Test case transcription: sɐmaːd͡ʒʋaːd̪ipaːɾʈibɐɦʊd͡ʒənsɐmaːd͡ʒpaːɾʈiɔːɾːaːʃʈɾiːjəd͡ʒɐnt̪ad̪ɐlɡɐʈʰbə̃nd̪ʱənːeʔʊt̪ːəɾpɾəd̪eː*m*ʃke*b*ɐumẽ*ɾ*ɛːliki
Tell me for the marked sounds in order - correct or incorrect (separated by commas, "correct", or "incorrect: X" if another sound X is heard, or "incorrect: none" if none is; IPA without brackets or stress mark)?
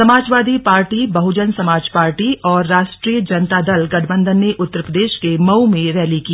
incorrect: none, incorrect: m, correct